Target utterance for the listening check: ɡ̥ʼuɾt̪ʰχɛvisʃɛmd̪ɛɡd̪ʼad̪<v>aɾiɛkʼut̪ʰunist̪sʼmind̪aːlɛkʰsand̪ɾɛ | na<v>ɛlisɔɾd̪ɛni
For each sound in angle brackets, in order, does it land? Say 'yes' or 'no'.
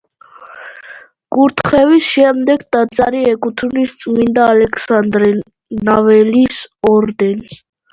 no, yes

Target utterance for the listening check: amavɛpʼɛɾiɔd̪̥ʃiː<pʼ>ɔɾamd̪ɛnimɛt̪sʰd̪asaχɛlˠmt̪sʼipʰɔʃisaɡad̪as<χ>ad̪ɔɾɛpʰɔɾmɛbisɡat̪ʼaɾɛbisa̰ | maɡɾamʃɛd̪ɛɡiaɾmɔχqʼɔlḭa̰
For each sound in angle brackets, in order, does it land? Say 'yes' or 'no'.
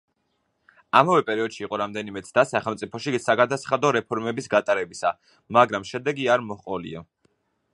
no, yes

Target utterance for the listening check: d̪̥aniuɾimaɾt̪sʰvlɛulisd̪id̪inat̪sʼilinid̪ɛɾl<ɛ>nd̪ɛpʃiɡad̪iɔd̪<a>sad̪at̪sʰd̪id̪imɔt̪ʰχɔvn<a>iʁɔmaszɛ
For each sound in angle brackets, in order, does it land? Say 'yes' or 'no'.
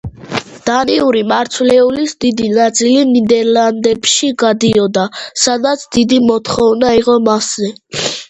no, yes, yes

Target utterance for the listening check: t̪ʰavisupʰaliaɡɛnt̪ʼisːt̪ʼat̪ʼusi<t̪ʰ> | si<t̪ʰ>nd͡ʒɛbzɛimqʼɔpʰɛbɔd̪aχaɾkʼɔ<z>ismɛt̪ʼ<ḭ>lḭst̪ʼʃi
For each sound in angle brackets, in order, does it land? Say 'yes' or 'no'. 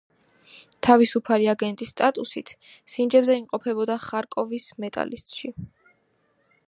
yes, no, no, no

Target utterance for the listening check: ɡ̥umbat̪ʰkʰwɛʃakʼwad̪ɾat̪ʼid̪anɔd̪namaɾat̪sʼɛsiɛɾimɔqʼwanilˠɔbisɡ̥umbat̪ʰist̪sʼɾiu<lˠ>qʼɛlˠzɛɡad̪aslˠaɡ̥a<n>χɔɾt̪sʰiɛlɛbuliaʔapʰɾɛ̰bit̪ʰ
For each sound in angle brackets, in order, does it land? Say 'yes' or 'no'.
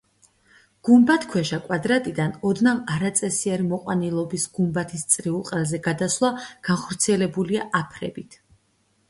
yes, yes

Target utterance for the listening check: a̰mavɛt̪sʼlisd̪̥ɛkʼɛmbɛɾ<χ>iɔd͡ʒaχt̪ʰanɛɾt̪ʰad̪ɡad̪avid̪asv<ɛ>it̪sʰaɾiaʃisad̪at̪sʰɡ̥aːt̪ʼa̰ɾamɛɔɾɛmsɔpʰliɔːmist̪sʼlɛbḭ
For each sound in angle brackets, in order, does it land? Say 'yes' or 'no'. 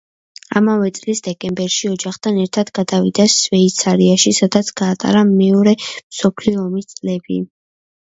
no, yes

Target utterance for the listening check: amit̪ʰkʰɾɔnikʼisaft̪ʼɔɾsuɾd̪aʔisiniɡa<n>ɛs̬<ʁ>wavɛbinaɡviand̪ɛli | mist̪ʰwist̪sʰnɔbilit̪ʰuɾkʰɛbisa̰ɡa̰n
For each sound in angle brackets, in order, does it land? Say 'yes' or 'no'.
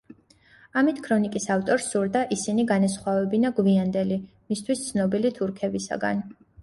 yes, no

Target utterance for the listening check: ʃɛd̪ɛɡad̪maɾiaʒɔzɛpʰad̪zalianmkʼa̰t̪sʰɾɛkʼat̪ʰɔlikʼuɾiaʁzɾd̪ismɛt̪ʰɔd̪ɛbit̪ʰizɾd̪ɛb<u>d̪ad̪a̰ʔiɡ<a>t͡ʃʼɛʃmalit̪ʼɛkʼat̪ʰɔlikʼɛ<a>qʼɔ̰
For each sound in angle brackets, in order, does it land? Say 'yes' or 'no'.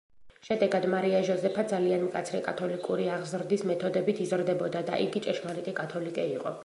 no, no, no

